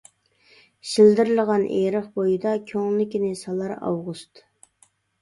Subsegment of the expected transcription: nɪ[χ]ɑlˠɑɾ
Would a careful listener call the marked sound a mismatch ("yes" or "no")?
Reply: yes